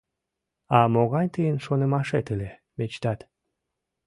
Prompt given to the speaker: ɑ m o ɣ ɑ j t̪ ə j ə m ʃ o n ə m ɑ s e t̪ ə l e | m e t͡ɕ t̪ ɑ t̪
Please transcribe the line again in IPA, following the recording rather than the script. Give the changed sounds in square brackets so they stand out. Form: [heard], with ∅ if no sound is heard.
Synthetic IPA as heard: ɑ m o ɣ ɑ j t̪ ə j ə [n] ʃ o n ə m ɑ [ʃ] e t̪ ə l e | m e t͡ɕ t̪ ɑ t̪